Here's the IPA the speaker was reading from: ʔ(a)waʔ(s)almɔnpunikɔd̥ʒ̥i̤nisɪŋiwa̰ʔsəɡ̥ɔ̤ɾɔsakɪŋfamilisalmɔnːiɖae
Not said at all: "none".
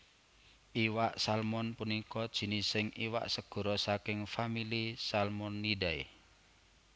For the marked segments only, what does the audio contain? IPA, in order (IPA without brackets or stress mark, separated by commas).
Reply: i, s